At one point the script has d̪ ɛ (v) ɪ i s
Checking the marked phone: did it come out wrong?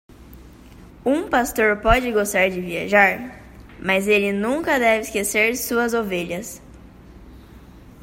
no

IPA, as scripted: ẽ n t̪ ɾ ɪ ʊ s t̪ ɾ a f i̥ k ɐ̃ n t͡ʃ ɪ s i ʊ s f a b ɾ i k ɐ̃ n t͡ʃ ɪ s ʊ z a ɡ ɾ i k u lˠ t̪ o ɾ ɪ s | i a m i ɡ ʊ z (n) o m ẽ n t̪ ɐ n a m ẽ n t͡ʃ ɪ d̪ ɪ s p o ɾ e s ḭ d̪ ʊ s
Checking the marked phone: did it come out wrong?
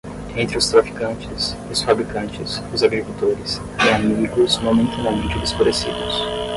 yes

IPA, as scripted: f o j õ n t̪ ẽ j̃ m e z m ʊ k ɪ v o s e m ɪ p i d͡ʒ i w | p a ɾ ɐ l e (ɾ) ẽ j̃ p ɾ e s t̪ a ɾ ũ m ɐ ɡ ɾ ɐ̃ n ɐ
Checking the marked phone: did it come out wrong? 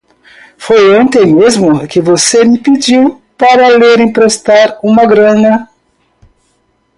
no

